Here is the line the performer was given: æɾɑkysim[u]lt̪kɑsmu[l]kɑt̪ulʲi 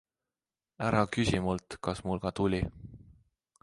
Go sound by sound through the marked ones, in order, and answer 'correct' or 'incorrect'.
correct, correct

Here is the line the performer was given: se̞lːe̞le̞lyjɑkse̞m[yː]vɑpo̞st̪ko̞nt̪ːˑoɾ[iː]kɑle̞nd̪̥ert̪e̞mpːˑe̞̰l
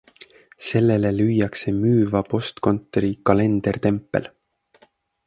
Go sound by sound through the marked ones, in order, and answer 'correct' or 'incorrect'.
correct, incorrect

